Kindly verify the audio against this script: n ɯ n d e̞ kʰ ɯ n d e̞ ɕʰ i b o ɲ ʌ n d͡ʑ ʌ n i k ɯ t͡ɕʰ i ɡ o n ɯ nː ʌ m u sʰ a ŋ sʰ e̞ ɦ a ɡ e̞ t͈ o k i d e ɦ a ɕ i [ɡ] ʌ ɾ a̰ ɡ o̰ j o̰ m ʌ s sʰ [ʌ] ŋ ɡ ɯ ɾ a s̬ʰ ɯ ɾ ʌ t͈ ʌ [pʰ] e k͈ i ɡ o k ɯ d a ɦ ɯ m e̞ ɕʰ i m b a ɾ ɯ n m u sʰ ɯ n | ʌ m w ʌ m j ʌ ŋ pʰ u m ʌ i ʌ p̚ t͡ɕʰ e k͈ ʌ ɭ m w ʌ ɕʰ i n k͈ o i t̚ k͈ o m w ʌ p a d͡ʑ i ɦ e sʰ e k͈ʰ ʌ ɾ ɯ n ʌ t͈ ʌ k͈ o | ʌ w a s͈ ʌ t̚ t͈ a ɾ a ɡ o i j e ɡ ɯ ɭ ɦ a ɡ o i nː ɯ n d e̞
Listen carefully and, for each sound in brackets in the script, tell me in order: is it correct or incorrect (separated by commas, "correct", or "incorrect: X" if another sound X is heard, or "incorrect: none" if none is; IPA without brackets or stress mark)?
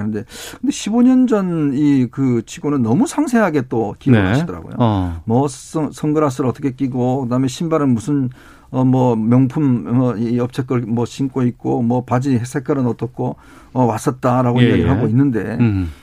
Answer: incorrect: d, correct, incorrect: kʰ